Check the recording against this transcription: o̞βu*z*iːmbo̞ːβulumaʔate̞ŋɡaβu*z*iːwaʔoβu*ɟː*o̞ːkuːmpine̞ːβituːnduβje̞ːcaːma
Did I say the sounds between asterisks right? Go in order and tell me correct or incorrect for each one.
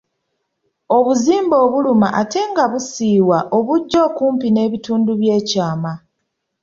correct, incorrect: s, correct

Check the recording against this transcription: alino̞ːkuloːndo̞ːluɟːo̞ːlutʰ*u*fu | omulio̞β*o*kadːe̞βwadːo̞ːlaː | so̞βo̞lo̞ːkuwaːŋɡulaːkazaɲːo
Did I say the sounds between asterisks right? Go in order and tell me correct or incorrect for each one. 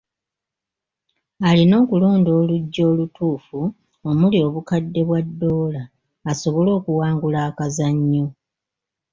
incorrect: uː, incorrect: u

